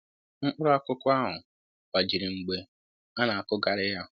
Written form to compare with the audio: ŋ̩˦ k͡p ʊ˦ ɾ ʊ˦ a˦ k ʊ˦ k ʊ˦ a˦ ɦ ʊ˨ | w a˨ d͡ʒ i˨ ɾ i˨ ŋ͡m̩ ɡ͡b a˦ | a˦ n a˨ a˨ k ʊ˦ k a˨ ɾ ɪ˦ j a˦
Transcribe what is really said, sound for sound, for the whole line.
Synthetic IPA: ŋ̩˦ k͡p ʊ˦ ɾ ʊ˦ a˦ k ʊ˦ k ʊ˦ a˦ ɦ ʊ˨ | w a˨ d͡ʒ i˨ ɾ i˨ ŋ͡m̩ ɡ͡b e˦ | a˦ n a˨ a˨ k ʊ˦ ɡ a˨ ɾ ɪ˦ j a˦